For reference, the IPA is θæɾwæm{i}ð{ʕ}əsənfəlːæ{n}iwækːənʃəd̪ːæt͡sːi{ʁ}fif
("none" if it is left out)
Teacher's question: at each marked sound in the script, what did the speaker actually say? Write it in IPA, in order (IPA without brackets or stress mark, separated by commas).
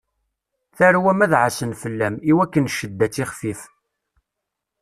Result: æ, ʕ, m, χ